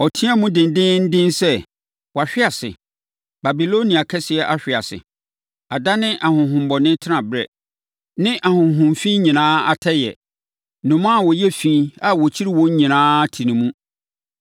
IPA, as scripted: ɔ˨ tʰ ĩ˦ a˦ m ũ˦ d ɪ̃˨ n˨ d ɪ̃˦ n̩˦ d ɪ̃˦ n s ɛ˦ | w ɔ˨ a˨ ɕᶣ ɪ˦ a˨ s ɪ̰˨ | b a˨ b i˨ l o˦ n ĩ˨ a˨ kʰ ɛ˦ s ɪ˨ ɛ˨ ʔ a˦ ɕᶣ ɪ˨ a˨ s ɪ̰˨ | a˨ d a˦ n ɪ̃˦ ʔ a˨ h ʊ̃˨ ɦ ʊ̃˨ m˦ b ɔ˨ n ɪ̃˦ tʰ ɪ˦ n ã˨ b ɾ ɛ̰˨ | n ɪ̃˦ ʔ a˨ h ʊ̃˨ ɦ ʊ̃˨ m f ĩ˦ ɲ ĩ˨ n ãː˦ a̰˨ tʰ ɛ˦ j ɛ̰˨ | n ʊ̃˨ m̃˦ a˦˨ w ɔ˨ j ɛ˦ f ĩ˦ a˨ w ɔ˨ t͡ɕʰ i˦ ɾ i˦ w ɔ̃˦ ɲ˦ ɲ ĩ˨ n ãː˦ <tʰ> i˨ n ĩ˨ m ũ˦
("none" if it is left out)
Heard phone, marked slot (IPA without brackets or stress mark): tʰ